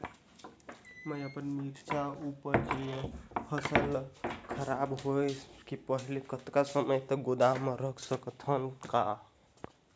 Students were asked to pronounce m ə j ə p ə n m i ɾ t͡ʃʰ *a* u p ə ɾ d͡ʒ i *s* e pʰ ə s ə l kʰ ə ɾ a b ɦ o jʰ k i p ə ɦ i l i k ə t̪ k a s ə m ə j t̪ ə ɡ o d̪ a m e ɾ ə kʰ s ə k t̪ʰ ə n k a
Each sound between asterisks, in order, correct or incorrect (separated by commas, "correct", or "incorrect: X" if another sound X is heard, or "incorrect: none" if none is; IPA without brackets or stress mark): correct, incorrect: none